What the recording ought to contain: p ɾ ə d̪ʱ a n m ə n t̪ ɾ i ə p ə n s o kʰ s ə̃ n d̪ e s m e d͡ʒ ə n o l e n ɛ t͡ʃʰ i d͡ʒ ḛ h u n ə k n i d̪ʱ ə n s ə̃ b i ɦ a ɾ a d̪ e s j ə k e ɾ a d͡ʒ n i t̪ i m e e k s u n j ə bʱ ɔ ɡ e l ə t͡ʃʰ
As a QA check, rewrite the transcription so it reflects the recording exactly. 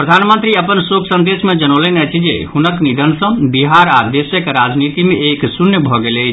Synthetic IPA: p ɾ ə d̪ʱ a n m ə n t̪ ɾ i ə p ə n s o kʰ s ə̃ n d̪ e s m e d͡ʒ ə n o l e n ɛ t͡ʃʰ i d͡ʒ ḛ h u n ə k n i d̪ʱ ə n s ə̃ b i ɦ a ɾ a d̪ e s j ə k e ɾ a d͡ʒ n i t̪ i m e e k s u n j ə bʱ ɔ ɡ e l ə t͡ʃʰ

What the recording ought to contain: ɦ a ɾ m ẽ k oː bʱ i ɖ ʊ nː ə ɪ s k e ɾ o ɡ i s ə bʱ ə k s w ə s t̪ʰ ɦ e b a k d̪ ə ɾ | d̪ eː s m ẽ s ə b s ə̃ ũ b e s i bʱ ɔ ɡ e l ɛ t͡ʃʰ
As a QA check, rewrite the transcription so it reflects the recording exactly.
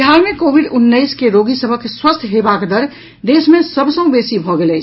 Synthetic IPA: ɦ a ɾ m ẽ k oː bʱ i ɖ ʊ nː ə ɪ s k e ɾ o ɡ i s ə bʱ ə k s w ə s t̪ʰ ɦ e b a k d̪ ə ɾ | d̪ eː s m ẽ s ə b s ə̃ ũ b e s i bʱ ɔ ɡ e l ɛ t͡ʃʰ

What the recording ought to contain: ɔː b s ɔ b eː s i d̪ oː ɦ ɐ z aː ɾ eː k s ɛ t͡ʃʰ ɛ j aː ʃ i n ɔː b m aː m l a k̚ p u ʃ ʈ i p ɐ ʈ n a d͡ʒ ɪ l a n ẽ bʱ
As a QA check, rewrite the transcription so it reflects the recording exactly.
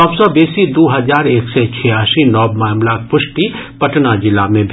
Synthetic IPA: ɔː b s ɔ b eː s i d̪ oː ɦ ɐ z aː ɾ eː k s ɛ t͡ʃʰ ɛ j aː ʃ i n ɔː b m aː m l a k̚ p ʊ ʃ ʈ i p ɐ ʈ n a d͡ʒ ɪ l a m ẽ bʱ

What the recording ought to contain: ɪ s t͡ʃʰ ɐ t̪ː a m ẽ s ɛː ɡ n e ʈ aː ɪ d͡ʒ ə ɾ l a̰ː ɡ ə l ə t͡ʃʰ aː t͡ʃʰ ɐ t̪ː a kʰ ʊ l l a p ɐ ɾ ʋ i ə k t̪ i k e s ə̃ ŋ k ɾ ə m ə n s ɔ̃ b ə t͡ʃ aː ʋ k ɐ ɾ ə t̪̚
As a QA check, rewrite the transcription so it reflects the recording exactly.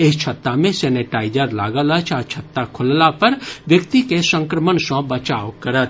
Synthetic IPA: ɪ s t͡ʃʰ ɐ t̪ː a m ẽ s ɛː n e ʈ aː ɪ d͡ʒ ə ɾ l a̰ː ɡ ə l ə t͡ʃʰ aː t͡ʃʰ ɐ t̪ː a kʰ ʊ l l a p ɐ ɾ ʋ j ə k t̪ i k e s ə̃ ŋ k ɾ ə m ə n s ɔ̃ b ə t͡ʃ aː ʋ k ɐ ɾ ə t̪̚

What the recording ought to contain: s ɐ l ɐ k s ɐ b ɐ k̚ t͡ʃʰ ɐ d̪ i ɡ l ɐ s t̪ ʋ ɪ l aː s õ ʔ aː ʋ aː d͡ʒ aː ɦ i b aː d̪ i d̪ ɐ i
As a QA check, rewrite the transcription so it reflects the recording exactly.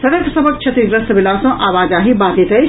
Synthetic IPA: s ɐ ɾ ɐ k s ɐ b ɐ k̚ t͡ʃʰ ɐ t̪ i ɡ ɾ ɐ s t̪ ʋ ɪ l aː s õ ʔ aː ʋ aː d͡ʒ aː ɦ i b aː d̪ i t̪ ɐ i

